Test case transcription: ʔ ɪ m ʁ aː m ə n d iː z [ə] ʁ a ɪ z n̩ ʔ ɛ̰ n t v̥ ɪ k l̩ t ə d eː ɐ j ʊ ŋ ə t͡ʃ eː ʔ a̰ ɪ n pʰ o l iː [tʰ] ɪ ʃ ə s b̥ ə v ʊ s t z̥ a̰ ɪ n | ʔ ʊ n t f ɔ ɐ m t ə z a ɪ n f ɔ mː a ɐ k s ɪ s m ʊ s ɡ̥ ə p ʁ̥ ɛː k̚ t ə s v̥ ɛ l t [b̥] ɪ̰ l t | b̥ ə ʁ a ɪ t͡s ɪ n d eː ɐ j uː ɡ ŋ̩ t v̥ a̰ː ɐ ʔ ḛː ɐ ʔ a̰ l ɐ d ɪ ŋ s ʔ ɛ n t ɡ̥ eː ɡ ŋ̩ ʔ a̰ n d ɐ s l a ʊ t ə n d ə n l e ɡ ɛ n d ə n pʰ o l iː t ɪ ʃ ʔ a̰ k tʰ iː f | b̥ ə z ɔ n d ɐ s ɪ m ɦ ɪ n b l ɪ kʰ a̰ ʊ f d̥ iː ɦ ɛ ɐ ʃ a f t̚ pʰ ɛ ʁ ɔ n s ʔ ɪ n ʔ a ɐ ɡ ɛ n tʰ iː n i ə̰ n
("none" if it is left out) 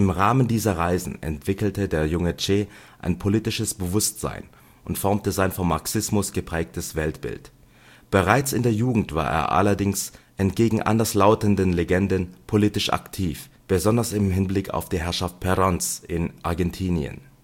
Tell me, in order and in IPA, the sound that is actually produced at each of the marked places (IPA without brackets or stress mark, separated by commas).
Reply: ɐ, t, b̥